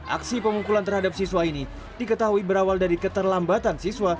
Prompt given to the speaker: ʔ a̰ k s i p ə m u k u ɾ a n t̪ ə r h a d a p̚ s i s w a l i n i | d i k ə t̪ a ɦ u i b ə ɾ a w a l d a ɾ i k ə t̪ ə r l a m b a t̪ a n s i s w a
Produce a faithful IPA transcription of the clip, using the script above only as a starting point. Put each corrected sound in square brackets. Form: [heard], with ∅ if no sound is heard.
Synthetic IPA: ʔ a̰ k s i p ə m u k u [l] a n t̪ ə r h a d a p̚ s i s w a [∅] i n i | d i k ə t̪ a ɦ u i b ə ɾ a w a l d a ɾ i k ə t̪ ə r l a m b a t̪ a n s i s w a